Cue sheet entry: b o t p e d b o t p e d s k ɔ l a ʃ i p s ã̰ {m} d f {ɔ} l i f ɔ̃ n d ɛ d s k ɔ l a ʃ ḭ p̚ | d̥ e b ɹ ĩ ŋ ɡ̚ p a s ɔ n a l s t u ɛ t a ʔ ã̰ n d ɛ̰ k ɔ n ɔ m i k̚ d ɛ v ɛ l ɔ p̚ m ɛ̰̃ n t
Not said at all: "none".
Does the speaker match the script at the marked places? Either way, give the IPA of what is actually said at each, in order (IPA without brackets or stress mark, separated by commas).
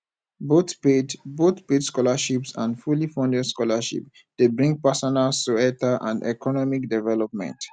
n, u